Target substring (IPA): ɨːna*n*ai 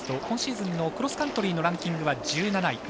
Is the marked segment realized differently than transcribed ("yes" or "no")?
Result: no